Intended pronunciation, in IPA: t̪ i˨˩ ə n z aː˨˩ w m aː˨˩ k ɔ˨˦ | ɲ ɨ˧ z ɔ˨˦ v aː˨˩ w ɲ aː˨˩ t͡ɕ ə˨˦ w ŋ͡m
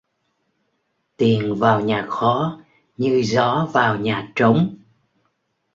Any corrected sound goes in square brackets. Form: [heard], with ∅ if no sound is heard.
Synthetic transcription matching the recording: t̪ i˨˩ ə n [v] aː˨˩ w [ɲ] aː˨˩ [x] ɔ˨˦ | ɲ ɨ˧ z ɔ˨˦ v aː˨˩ w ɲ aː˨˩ t͡ɕ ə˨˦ w ŋ͡m